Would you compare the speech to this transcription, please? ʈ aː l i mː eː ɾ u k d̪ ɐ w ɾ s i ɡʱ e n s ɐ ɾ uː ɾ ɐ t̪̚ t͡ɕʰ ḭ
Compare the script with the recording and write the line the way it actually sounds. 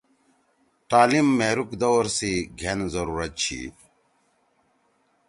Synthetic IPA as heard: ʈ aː l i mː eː ɾ u k d̪ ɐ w ɾ s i ɡʱ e n z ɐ ɾ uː ɾ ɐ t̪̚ t͡ɕʰ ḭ